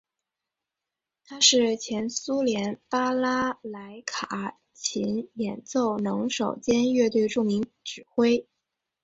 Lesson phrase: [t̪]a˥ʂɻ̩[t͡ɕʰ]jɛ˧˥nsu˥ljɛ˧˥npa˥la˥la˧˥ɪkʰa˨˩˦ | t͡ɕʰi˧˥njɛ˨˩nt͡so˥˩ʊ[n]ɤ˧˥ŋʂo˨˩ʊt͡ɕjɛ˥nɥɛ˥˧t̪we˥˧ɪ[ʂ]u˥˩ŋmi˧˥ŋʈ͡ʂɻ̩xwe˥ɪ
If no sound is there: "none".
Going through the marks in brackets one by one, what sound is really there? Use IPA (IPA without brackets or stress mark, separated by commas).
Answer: t̪ʰ, t͡ɕʰ, n, ʈ͡ʂ